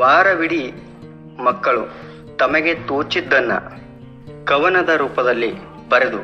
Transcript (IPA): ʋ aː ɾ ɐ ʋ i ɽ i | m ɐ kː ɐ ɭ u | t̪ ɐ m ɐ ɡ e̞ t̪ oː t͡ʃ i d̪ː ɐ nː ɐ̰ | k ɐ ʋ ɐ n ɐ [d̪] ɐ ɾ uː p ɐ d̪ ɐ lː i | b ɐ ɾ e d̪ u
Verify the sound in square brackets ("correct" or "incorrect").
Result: correct